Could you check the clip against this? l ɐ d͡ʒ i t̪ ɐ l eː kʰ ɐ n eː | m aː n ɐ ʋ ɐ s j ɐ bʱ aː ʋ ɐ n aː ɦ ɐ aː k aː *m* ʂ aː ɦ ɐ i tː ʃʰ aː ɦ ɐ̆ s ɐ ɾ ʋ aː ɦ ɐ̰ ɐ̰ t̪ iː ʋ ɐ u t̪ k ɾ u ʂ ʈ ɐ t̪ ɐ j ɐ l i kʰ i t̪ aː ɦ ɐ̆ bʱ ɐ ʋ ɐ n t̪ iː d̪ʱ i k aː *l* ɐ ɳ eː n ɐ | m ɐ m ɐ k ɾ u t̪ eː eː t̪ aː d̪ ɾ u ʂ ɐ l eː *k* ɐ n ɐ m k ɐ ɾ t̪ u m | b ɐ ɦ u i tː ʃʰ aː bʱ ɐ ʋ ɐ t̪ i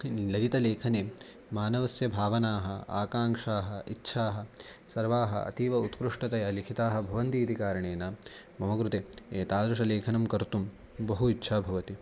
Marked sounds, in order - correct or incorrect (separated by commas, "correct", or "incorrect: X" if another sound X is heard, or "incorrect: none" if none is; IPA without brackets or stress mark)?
incorrect: ŋ, incorrect: ɾ, incorrect: kʰ